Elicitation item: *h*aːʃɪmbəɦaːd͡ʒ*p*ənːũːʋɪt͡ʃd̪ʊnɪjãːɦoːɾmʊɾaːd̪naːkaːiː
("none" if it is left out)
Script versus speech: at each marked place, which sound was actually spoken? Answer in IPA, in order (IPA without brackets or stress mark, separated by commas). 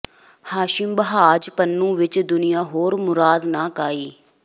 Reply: h, p